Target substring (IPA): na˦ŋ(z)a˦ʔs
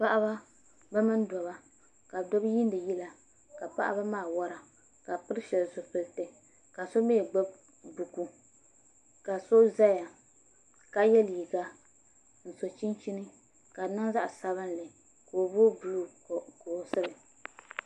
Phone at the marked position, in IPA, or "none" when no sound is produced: z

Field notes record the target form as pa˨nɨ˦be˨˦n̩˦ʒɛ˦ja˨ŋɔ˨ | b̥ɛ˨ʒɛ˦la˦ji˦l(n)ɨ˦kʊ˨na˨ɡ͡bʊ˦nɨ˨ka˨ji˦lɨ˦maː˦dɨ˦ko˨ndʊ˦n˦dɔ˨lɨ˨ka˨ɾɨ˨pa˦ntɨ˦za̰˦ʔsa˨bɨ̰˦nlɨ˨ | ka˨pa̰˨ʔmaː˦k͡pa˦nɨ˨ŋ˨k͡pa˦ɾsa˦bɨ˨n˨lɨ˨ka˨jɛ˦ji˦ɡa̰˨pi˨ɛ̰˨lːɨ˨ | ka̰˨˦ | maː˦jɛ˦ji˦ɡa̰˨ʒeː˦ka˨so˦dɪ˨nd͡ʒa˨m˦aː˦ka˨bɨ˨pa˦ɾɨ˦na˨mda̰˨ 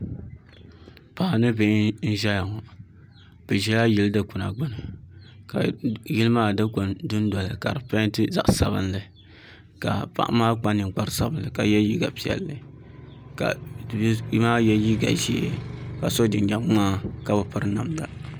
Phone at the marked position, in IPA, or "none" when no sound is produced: d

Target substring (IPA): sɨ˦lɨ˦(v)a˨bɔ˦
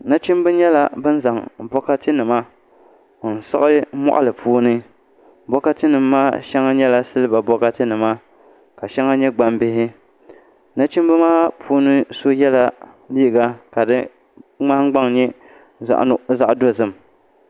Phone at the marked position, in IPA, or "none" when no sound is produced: b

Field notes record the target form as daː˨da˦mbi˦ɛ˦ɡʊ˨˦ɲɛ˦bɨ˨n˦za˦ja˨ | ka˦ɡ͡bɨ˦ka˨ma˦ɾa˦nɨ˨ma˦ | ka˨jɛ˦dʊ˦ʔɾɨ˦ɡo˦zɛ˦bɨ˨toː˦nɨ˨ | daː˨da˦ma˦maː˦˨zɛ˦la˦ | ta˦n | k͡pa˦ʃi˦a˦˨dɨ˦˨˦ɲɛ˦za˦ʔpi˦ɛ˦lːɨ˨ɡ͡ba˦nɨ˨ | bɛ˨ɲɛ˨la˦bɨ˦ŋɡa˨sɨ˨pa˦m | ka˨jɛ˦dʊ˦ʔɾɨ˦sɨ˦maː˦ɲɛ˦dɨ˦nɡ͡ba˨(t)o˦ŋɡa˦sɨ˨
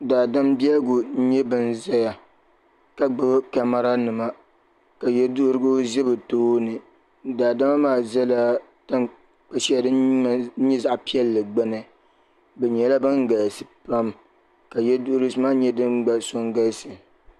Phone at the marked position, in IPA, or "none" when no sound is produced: s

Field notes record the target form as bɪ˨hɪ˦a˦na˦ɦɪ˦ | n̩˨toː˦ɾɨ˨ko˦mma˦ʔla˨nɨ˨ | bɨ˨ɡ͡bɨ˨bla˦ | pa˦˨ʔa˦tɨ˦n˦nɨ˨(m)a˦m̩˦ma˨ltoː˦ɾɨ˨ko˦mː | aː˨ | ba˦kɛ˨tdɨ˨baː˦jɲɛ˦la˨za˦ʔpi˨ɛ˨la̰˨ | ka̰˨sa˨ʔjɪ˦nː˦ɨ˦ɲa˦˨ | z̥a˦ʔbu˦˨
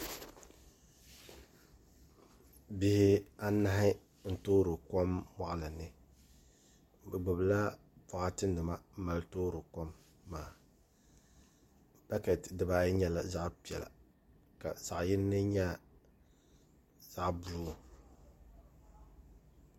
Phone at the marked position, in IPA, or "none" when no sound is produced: m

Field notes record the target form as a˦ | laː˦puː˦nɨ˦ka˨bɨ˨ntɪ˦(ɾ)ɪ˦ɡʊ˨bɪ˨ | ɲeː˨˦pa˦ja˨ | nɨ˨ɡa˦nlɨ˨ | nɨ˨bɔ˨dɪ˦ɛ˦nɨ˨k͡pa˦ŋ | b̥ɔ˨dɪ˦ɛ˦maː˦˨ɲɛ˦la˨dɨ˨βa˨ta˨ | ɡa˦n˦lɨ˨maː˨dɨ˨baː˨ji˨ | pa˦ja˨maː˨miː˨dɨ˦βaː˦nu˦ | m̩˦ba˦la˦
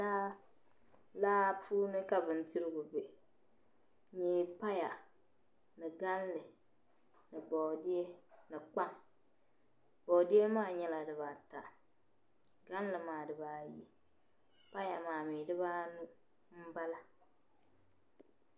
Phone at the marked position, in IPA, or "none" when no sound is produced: ɾ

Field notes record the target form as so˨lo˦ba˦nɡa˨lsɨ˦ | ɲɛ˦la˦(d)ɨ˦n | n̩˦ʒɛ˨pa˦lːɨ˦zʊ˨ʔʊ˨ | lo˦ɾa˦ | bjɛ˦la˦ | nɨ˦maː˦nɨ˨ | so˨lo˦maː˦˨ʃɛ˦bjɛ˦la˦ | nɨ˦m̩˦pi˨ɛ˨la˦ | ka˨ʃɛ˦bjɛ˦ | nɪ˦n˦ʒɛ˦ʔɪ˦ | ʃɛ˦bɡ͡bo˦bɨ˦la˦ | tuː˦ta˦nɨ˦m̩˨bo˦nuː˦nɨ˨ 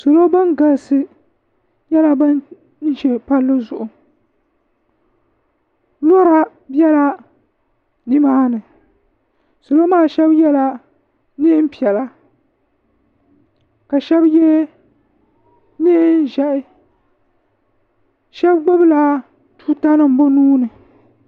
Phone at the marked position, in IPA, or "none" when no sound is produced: b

